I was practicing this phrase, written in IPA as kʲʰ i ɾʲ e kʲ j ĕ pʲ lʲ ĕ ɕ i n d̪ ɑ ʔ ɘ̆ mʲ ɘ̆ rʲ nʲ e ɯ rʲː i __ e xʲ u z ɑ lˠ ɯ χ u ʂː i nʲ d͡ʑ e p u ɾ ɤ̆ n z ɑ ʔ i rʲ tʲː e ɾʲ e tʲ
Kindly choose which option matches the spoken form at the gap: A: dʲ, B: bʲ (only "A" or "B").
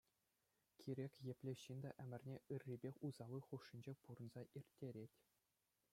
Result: B